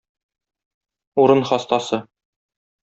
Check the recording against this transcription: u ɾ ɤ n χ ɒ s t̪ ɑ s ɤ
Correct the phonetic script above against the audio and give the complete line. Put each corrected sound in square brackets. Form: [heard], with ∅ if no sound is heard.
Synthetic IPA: u ɾ ɤ n χ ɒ s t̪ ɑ s ɤ